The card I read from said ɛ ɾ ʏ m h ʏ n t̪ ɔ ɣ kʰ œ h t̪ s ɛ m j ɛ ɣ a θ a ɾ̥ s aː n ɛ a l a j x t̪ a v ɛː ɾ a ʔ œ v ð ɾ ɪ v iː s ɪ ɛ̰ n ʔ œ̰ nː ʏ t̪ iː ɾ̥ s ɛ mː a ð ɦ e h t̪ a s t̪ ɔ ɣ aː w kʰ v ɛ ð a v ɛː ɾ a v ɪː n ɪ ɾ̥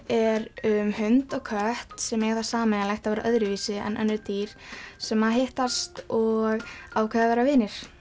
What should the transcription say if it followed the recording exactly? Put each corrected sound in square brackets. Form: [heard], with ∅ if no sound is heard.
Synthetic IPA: ɛ ɾ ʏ m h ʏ n t̪ ɔ ɣ kʰ œ h t̪ s ɛ m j ɛ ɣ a θ a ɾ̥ s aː [m] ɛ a l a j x t̪ a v ɛː ɾ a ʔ œ [∅] ð ɾ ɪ v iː s ɪ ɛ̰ n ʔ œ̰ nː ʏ t̪ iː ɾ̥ s ɛ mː a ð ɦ e h t̪ a s t̪ ɔ ɣ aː w kʰ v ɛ ð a v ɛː ɾ a v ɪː n ɪ ɾ̥